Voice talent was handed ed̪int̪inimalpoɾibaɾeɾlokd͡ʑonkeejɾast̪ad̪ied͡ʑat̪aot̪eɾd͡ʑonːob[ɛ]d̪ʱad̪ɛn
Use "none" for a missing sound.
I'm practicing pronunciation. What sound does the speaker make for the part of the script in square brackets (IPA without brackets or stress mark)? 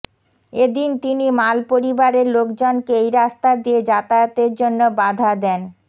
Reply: a